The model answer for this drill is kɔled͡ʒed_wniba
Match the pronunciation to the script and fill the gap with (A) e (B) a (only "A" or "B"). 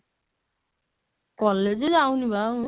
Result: B